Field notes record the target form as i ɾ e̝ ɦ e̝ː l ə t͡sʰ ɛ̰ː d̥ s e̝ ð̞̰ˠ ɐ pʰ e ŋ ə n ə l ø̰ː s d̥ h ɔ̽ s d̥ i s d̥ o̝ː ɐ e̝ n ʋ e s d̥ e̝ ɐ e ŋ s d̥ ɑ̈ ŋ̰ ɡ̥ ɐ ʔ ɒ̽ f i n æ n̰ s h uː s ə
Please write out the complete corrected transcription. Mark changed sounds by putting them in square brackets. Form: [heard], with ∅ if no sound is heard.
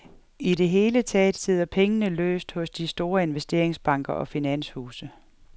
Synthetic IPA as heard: i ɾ e̝ ɦ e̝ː l ə t͡sʰ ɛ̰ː d̥ s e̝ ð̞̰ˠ ɐ pʰ e ŋ ə n ə l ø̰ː s d̥ h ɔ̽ s d̥ i s d̥ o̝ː ɐ e̝ n ʋ e s d̥ e̝ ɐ e ŋ s [b̥] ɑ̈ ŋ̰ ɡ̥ ɐ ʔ ɒ̽ f i n æ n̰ s h uː s ə